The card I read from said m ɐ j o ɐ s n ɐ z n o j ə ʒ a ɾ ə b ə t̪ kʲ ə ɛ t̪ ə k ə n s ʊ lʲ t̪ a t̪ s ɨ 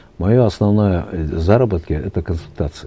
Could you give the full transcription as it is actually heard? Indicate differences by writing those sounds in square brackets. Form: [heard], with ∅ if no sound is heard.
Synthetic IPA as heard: m ɐ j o ɐ s n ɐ [v] n o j ə [z] a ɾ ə b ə t̪ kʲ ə ɛ t̪ ə k ə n s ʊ lʲ t̪ a t̪ s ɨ